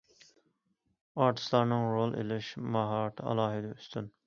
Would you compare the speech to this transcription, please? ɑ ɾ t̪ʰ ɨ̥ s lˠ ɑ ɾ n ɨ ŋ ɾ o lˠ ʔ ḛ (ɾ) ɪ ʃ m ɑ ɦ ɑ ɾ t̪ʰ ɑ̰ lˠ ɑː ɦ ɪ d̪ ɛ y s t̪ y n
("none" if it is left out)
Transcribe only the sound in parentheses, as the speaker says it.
l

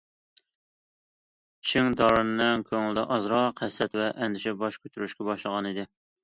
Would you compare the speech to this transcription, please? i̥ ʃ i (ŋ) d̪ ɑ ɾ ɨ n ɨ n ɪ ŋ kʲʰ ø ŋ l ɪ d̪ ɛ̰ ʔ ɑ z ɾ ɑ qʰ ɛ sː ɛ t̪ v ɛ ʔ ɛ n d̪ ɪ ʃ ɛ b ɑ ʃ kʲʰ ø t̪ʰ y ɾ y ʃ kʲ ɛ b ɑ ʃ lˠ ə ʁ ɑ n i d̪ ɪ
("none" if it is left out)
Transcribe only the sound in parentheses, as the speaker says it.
ŋ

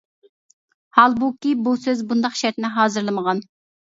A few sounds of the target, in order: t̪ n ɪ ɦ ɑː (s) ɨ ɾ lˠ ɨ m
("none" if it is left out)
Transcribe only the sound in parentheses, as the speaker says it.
z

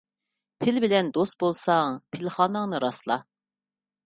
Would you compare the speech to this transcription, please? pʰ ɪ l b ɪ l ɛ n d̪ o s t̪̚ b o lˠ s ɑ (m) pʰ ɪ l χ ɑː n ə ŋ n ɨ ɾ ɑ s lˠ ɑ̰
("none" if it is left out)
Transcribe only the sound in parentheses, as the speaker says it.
ŋ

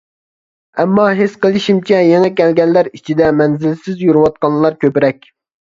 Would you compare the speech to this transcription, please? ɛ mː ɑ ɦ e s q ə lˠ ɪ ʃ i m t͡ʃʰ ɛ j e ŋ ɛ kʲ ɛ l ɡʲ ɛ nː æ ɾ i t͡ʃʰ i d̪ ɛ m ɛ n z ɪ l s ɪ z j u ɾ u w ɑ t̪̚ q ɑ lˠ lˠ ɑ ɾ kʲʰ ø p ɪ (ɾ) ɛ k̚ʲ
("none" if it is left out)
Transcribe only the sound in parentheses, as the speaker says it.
ɾ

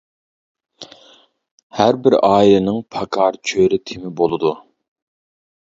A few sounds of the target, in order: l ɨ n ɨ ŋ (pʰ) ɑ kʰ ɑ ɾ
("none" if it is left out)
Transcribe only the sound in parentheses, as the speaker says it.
pʰ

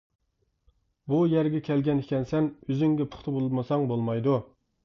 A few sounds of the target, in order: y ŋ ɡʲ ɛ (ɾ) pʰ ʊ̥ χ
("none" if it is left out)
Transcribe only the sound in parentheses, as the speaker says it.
none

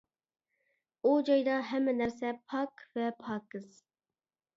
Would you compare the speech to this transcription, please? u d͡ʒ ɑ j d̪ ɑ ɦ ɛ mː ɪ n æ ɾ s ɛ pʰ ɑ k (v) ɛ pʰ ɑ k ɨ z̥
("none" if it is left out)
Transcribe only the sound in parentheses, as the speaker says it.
v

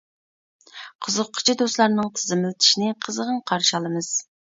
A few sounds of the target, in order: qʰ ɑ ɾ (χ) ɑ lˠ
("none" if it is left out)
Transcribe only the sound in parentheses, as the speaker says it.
ʃ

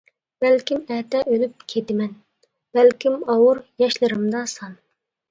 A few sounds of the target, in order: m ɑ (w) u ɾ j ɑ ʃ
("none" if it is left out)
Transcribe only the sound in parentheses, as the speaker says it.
w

